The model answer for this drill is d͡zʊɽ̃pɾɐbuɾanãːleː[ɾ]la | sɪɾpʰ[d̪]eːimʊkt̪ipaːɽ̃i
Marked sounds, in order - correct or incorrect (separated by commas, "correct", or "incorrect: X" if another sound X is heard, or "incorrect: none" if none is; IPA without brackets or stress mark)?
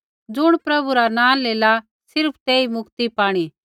incorrect: none, incorrect: t̪